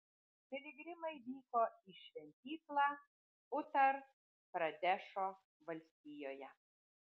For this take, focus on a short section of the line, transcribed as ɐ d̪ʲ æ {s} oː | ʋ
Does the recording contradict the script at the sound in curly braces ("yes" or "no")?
yes